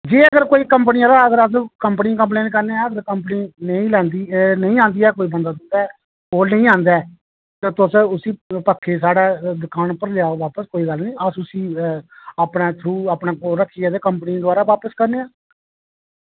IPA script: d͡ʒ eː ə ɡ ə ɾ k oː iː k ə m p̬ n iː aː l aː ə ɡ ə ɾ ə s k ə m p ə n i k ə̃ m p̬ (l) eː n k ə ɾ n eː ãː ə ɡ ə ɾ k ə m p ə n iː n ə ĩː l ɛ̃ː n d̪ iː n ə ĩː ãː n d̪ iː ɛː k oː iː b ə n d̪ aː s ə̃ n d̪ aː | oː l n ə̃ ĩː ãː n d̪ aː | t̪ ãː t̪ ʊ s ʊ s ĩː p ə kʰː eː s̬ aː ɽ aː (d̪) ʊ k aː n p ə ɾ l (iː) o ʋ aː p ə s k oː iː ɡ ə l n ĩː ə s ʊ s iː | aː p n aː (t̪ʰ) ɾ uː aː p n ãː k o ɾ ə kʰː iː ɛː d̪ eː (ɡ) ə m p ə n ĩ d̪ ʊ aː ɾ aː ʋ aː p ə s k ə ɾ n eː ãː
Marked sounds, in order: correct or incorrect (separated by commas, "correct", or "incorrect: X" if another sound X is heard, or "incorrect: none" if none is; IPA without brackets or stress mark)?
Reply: correct, correct, incorrect: aː, correct, incorrect: k